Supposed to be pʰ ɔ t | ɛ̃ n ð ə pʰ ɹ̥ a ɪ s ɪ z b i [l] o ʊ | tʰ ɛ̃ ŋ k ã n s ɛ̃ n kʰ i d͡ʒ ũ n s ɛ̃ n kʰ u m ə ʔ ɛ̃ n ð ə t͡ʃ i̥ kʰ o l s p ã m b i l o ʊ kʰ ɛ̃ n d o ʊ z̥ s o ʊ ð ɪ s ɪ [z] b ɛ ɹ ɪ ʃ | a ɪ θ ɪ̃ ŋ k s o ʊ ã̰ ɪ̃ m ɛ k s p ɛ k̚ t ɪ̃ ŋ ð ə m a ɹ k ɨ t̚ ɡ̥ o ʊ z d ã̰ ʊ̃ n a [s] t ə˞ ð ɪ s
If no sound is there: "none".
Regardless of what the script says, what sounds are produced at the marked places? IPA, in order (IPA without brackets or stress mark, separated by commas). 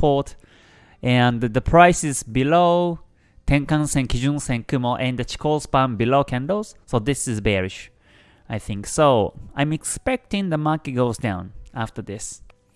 l, z, f